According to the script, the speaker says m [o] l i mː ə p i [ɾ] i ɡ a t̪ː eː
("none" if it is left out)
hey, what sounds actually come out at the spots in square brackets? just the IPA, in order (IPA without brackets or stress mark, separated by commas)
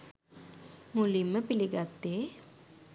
u, l